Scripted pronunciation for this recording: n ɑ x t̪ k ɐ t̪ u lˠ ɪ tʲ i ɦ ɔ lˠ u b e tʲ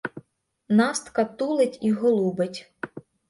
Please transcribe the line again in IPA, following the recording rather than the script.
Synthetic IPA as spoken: n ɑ s t̪ k ɐ t̪ u lˠ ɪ tʲ i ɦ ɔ lˠ u b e tʲ